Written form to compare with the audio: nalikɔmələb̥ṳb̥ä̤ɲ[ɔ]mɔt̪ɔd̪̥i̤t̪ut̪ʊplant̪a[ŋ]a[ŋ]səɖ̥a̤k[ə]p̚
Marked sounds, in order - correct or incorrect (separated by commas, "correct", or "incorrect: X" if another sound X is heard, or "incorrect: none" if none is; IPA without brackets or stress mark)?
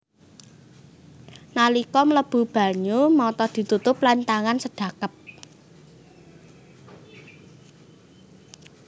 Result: incorrect: u, correct, incorrect: n, correct